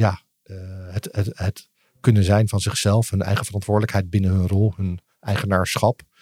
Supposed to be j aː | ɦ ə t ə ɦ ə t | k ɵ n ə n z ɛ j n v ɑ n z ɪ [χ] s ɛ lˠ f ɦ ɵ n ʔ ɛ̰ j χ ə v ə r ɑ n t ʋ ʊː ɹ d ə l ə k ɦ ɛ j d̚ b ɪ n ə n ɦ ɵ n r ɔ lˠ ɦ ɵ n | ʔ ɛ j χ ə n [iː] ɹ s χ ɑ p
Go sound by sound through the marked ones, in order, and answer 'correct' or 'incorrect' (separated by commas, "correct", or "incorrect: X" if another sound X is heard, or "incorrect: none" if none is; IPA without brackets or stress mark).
correct, incorrect: aː